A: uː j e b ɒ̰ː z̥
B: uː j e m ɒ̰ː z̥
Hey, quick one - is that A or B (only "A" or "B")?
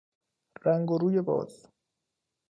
A